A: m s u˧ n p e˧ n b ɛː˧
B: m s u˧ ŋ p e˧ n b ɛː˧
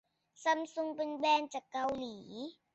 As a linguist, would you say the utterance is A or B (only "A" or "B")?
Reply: B